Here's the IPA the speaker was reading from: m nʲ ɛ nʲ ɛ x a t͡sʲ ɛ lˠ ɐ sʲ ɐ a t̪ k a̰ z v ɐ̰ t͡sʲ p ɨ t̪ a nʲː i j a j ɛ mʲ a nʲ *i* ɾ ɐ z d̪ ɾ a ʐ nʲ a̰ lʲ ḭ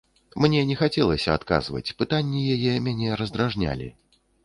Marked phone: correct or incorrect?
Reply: incorrect